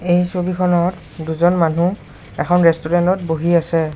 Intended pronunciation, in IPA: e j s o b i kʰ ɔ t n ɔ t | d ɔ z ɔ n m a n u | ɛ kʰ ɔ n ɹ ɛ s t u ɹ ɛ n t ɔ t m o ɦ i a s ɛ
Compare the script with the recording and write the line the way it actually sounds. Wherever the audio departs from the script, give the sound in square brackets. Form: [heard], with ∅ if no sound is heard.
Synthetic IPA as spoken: e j s o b i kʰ ɔ [∅] n ɔ t | d [u] z ɔ n m a n u | ɛ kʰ ɔ n ɹ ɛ s t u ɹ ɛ n t ɔ t [b] o ɦ i a s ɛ

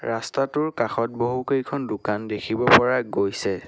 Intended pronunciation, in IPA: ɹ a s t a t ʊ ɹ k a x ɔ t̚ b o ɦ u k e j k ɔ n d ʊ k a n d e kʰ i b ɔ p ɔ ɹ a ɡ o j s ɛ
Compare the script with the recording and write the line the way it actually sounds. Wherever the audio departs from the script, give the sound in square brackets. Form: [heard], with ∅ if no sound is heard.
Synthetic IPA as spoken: ɹ a s t a t ʊ ɹ k a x ɔ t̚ b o ɦ u k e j [kʰ] ɔ n d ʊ k a n d e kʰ i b ɔ p ɔ ɹ a ɡ o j s ɛ

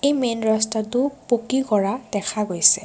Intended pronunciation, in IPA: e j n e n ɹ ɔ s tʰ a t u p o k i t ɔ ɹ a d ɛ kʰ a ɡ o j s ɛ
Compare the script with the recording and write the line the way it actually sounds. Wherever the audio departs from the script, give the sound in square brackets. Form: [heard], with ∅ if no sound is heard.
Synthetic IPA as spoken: e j [m] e n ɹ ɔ s [t] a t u p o k i [k] ɔ ɹ a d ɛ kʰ a ɡ o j s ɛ

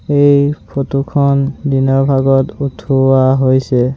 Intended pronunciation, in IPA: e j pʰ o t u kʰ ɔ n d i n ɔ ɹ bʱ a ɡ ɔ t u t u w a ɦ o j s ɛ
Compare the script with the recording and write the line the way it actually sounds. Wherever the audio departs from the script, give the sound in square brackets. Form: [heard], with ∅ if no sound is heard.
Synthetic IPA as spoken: e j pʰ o t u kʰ ɔ n d i n ɔ ɹ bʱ a ɡ ɔ t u [tʰ] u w a ɦ o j s ɛ

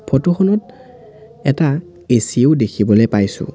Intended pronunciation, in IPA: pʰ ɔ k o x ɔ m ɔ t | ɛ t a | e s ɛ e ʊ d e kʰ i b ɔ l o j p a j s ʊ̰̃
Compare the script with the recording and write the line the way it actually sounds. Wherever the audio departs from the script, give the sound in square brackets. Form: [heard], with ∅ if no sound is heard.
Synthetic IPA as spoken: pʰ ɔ [t] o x ɔ [n] ɔ t | ɛ t a | e s [i] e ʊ d e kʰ i b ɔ l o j p a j s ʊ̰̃

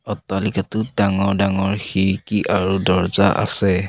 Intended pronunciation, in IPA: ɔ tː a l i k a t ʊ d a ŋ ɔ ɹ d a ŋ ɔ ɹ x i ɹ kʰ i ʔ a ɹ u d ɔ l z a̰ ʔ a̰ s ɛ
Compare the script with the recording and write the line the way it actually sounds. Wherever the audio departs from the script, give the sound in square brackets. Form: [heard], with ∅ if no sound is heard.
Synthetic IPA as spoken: ɔ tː a l i k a t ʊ d a ŋ ɔ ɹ d a ŋ ɔ ɹ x i ɹ [k] i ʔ a ɹ u d ɔ [ɹ] z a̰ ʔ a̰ s ɛ

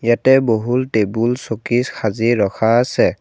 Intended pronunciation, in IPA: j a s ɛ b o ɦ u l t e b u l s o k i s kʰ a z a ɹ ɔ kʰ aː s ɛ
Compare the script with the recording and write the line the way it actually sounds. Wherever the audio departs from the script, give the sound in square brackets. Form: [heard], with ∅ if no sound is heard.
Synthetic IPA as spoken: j a [t] ɛ b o ɦ u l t e b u l s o k i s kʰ a z [i] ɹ ɔ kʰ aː s ɛ

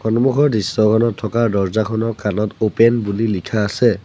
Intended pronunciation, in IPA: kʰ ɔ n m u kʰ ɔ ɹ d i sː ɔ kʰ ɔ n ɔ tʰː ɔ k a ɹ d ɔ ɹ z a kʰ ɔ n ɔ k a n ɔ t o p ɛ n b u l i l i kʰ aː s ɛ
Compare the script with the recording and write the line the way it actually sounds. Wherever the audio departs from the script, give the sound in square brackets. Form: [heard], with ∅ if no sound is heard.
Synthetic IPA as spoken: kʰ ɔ n m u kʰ ɔ ɹ d i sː ɔ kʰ ɔ n ɔ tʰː ɔ k a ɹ d ɔ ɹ z a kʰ ɔ n ɔ k a n ɔ t o p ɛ n b u l i l i kʰ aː s ɛ

